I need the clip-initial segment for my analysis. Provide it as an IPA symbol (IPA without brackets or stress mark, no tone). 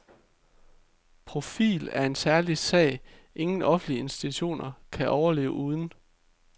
pʰ